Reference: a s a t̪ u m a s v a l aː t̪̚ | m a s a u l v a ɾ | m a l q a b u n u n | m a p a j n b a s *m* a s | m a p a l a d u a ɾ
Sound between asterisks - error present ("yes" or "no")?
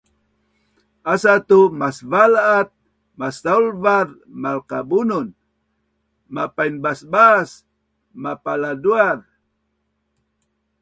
yes